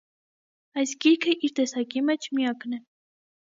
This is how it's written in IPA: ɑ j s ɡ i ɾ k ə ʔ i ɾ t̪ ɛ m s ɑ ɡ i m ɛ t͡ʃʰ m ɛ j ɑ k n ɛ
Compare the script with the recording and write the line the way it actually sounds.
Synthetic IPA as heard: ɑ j s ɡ i ɾ kʰ ə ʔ i ɾ t̪ ɛ s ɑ k i m ɛ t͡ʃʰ m i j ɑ k n ɛ

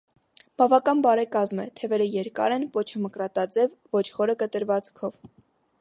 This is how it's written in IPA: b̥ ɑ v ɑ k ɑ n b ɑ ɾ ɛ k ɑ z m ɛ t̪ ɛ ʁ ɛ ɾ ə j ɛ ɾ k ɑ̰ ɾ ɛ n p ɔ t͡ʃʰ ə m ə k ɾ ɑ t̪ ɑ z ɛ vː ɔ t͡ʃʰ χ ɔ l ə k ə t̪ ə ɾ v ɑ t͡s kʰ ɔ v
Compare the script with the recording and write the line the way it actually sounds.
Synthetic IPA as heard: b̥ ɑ v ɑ k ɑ n b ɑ ɾ ɛ k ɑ z m ɛ t̪ʰ ɛ v ɛ ɾ ə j ɛ ɾ k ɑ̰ ɾ ɛ n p ɔ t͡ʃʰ ə m ə k ɾ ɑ t̪ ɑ d͡z ɛ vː ɔ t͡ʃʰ χ ɔ ɾ ə k ə t̪ ə ɾ v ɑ t͡s kʰ ɔ v

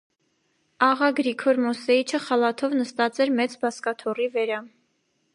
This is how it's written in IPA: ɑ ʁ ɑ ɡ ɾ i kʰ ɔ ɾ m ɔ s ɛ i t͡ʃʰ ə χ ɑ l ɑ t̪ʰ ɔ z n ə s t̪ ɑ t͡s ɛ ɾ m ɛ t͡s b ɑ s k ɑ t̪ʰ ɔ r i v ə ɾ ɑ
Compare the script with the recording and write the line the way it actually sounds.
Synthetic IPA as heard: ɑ ʁ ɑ ɡ ɾ i kʰ ɔ ɾ m ɔ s ɛ i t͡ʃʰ ə χ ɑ l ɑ t̪ʰ ɔ v n ə s t̪ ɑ t͡s ɛ ɾ m ɛ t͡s b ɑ s k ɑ t̪ʰ ɔ r i v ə ɾ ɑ

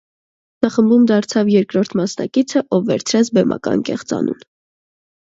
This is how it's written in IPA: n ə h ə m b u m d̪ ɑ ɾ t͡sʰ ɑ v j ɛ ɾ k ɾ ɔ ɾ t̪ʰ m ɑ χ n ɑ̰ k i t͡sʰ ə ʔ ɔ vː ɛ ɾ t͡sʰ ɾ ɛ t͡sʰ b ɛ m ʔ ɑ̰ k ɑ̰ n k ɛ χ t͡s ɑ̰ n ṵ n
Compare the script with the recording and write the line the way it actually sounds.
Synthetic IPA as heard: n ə χ ə m b u m d̪ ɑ ɾ t͡sʰ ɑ v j ɛ ɾ k ɾ ɔ ɾ t̪ʰ m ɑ s n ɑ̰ k i t͡sʰ ə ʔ ɔ vː ɛ ɾ t͡sʰ ɾ ɛ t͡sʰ b ɛ m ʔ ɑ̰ k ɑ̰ n k ɛ χ t͡s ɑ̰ n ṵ n

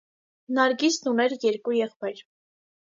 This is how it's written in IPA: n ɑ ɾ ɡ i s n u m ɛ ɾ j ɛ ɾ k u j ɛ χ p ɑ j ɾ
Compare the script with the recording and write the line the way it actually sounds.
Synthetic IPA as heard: n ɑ ɾ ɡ i s n u n ɛ ɾ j ɛ ɾ k u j ɛ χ p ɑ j ɾ

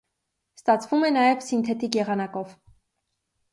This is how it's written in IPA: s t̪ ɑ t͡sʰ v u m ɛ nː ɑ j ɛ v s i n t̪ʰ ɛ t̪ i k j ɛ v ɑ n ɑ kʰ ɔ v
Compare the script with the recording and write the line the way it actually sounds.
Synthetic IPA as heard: s t̪ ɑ t͡sʰ v u m ɛ n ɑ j ɛ v s i n t̪ʰ ɛ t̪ i k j ɛ ʁ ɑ n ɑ k ɔ v

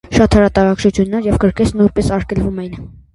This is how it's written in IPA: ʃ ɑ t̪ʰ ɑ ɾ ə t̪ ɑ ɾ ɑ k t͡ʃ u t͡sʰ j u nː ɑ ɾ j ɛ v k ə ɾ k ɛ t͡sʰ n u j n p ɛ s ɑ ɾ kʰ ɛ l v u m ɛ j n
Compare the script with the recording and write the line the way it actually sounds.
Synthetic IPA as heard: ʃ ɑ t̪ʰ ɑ ɾ ɑ t̪ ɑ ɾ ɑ k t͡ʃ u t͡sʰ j u nː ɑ ɾ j ɛ v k ə ɾ k ɛ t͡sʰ n u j n p ɛ s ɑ ɾ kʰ ɛ l v u m ɛ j n

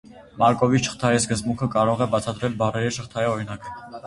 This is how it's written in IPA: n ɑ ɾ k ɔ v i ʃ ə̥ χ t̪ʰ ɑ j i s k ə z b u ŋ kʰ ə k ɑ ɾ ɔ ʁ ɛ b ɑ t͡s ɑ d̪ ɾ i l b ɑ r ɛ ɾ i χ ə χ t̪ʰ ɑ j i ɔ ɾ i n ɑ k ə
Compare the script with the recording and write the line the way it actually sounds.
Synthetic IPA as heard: m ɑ ɾ k ɔ v i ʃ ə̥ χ t̪ʰ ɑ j i s k ə z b u ŋ kʰ ə k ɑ ɾ ɔ ʁ ɛ b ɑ t͡sʰ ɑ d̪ ɾ ɛ l b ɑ r ɛ ɾ i ʃ ə χ t̪ʰ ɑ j i ɔ ɾ i n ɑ k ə

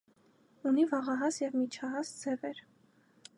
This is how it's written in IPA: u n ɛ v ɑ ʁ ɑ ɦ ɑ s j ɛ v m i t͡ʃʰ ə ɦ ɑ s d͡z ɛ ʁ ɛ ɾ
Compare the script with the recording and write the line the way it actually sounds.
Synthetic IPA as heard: u n i v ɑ ʁ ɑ ɦ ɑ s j ɛ v m i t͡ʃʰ ɑ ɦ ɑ s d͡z ɛ v ɛ ɾ

